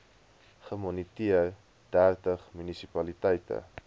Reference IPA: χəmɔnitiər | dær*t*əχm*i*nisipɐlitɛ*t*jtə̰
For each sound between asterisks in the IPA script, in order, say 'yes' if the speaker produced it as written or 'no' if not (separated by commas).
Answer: yes, no, no